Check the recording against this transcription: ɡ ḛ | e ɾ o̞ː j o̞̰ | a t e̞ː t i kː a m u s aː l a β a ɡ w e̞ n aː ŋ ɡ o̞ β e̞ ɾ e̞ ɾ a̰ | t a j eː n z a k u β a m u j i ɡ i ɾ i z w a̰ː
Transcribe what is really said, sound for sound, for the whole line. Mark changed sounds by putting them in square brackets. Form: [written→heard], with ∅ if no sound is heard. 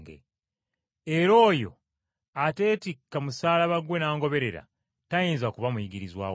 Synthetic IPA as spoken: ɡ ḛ | e ɾ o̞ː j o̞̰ | a t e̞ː t i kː a m u s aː l a β a ɡ w e̞ n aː ŋ ɡ o̞ β e̞ ɾ e̞ ɾ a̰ | t a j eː n z a k u β a m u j i ɡ i ɾ i z w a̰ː